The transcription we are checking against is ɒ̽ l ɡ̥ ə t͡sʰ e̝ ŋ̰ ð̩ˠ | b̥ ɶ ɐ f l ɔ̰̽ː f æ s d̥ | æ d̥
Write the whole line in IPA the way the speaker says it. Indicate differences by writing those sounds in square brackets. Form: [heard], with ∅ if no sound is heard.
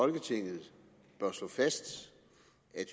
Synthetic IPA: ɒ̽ l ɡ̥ ə t͡sʰ e̝ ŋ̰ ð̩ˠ | b̥ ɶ ɐ [s] l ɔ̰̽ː f æ s d̥ | æ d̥